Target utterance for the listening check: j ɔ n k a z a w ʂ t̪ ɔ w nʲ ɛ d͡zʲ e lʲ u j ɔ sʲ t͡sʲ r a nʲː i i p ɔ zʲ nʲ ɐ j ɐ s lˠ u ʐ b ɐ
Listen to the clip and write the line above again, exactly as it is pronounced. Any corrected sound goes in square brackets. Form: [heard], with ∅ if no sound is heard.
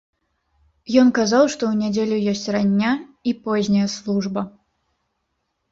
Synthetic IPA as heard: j ɔ n k a z a w ʂ t̪ ɔ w nʲ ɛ d͡zʲ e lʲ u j ɔ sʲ t͡sʲ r a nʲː [a] i p ɔ zʲ nʲ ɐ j ɐ s lˠ u ʐ b ɐ